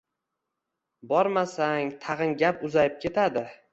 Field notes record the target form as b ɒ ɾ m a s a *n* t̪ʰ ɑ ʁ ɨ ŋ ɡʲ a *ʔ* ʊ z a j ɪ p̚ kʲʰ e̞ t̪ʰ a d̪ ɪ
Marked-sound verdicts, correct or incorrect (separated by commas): incorrect, incorrect